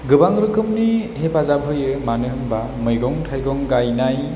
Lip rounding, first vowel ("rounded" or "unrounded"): unrounded